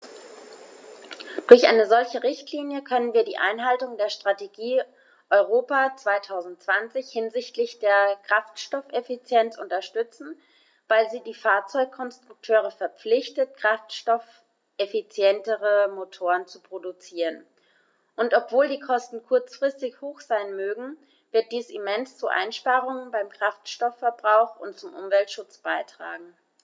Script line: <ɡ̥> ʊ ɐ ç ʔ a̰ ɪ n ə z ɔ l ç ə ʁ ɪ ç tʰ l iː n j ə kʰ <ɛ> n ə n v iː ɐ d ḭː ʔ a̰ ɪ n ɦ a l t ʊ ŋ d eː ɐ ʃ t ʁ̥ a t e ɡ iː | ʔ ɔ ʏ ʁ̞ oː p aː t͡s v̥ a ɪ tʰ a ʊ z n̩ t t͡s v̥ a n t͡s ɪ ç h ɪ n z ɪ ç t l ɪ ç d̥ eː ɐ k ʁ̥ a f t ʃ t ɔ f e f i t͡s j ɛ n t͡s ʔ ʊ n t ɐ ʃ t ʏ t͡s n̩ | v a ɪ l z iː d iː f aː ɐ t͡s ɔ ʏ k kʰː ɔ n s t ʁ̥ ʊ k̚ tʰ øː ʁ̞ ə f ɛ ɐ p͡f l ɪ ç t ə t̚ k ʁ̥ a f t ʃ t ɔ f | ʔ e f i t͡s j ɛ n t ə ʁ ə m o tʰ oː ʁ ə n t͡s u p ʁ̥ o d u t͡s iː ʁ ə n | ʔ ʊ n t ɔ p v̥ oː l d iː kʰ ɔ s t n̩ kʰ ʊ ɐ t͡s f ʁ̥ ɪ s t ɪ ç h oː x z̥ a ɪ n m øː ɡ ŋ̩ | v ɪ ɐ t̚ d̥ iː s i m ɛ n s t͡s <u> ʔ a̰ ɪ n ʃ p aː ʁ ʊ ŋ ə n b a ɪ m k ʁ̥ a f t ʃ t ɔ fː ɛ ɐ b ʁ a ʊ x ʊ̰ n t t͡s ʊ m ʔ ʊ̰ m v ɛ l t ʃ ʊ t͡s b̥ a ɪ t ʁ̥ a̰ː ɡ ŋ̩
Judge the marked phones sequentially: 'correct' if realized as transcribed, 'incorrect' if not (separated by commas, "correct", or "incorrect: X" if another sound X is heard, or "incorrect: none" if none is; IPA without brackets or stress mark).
incorrect: d̥, incorrect: œ, correct